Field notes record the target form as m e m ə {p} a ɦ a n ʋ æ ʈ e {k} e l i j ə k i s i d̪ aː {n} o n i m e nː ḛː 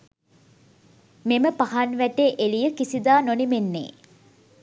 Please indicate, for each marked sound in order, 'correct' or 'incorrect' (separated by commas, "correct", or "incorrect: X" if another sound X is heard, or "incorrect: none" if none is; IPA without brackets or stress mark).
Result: correct, incorrect: ʔ, correct